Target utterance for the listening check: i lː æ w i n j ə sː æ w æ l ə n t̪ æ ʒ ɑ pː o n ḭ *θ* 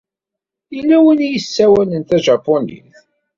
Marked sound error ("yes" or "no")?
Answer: no